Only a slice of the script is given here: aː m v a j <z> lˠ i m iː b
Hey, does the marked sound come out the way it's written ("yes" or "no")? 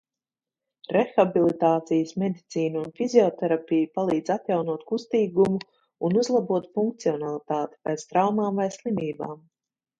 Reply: no